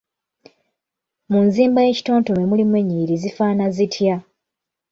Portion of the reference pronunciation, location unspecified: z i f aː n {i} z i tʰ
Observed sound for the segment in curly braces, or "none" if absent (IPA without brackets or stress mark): a